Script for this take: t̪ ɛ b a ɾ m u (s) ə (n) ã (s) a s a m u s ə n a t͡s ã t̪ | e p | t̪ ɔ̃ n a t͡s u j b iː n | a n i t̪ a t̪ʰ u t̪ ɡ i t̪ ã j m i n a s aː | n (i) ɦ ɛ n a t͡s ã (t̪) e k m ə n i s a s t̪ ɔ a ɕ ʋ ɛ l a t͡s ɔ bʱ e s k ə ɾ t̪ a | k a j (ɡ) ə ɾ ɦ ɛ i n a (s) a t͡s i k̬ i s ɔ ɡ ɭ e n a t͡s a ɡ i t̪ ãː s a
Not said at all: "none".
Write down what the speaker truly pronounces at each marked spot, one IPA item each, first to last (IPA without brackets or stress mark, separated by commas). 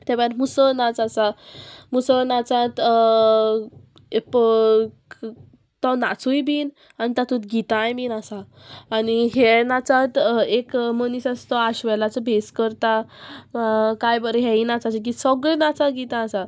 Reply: s, n, t͡s, i, t̪, b, t͡s